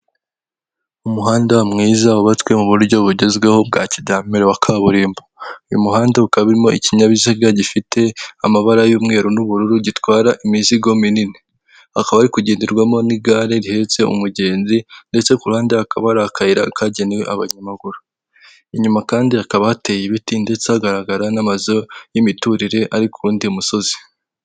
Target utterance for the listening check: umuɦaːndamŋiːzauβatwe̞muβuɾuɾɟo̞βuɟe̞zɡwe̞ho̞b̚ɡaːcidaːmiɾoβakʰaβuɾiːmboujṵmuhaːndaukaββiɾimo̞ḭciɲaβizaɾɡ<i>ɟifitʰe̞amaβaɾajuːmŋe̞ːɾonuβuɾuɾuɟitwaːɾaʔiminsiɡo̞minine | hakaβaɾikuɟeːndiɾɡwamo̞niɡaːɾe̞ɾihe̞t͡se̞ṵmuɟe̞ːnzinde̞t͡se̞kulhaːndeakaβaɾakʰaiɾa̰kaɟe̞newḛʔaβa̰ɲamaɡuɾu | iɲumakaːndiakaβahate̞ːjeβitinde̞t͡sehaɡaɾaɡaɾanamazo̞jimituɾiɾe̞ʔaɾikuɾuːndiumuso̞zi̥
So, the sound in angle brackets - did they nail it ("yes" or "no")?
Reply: no